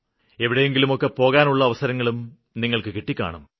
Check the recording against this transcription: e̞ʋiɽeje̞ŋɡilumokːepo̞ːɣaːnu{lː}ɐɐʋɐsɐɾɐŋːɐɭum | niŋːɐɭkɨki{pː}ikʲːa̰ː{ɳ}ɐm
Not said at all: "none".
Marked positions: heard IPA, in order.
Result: ɭː, ʈː, ɳ

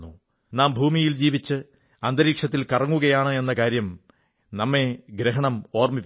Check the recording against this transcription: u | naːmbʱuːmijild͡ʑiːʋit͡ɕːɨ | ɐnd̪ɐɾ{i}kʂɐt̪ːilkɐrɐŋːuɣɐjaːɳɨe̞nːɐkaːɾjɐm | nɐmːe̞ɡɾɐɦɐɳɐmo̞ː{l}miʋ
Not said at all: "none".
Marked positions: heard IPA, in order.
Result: iː, r

